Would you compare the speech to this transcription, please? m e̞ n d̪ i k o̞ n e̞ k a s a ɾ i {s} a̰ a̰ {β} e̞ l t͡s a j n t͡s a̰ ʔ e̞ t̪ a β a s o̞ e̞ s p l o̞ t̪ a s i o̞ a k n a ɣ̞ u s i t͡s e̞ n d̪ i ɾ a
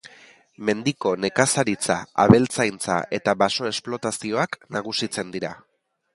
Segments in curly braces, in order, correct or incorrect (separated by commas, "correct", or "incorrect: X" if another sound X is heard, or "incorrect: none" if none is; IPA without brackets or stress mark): incorrect: t͡s, correct